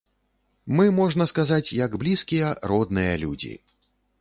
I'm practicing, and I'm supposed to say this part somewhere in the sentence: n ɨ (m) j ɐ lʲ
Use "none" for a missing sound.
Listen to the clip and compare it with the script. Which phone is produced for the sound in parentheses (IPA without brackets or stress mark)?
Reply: none